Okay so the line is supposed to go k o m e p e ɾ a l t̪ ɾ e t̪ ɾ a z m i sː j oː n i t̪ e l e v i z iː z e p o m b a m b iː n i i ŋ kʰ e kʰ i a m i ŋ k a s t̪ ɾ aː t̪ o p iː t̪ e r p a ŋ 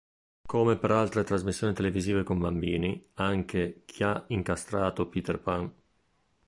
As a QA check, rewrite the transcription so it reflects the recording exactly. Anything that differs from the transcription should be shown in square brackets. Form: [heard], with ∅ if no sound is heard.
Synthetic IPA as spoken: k o m e p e ɾ a l t̪ ɾ e t̪ ɾ a z m i sː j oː n i t̪ e l e v i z iː [v] e [k] o m b a m b iː n i [a] ŋ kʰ e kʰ i a [∅] i ŋ k a s t̪ ɾ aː t̪ o p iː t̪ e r p a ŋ